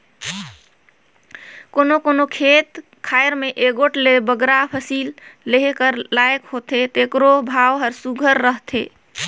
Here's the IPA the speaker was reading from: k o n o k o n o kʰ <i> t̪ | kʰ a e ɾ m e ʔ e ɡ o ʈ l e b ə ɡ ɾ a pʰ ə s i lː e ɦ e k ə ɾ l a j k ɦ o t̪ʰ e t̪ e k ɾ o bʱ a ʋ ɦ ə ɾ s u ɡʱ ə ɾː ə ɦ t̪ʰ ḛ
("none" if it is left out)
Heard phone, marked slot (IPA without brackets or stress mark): e